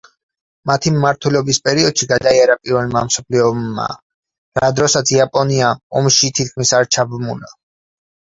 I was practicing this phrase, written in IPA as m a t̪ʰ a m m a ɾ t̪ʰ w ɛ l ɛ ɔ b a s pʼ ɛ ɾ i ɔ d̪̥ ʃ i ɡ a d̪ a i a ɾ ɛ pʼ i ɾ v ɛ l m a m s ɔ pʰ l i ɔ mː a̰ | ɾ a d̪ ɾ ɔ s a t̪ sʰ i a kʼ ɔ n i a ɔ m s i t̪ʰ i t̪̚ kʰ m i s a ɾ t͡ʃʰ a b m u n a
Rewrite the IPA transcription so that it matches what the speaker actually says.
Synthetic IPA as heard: m a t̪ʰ i m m a ɾ t̪ʰ w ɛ l ɛ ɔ b i s pʼ ɛ ɾ i ɔ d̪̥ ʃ i ɡ a d̪ a i a ɾ a pʼ i ɾ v ɛ l m a m s ɔ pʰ l i ɔ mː a̰ | ɾ a d̪ ɾ ɔ s a t̪ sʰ i a pʼ ɔ n i a ɔ m ʃ i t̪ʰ i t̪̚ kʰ m i s a ɾ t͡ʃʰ a b m u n a